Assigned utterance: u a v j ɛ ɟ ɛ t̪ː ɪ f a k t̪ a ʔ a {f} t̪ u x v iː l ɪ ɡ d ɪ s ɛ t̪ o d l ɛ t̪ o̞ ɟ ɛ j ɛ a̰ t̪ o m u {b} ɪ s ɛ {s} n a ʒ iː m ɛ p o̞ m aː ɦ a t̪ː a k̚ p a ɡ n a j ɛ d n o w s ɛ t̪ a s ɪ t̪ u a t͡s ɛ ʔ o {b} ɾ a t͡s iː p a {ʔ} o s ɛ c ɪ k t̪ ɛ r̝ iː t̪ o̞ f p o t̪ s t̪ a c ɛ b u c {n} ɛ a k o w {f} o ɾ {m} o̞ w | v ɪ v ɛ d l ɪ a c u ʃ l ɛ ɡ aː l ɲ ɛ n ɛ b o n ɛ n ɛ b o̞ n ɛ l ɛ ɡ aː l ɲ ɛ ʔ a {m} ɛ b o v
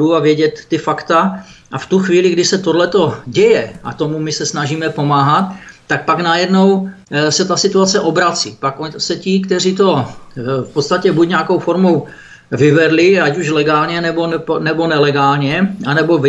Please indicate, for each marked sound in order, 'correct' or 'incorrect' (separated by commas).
correct, incorrect, correct, correct, incorrect, incorrect, correct, correct, incorrect